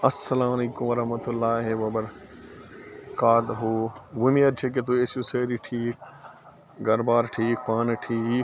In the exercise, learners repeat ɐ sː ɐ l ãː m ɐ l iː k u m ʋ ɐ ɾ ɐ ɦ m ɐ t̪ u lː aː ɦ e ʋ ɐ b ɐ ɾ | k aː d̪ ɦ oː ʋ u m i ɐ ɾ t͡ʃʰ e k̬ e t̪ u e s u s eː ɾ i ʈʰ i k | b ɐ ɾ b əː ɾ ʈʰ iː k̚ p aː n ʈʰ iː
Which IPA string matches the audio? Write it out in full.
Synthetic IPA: ɐ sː ɐ l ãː m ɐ l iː k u m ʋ ɐ ɾ ɐ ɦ m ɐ t̪ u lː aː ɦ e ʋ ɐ b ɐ ɾ | k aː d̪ ɦ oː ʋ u m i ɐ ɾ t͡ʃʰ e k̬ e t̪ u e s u s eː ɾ i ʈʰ iː k | ɡ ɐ ɾ b aː ɾ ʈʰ iː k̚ p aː n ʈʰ iː